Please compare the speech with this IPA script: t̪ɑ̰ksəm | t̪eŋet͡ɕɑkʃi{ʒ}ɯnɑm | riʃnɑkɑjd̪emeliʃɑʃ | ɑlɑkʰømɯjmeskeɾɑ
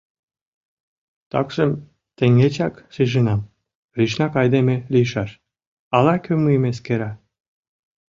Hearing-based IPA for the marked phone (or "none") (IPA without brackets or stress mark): ʒ